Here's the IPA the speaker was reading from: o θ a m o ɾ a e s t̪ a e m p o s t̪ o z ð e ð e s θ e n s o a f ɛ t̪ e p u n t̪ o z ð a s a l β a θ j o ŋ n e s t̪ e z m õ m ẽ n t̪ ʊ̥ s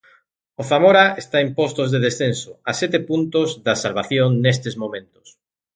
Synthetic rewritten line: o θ a m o ɾ a e s t̪ a e m p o s t̪ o z ð e ð e s θ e n s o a s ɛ t̪ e p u n t̪ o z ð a s a l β a θ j o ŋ n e s t̪ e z m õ m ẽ n t̪ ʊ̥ s